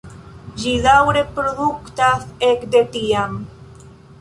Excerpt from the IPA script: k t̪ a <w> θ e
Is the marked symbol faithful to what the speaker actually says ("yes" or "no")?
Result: no